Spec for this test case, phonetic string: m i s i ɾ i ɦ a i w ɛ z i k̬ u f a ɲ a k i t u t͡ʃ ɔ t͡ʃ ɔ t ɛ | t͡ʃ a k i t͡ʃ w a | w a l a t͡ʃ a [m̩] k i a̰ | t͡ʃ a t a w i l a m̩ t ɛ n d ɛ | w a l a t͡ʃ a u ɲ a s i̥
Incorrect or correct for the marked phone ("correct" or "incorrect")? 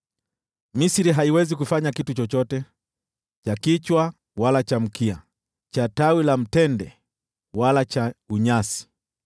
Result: correct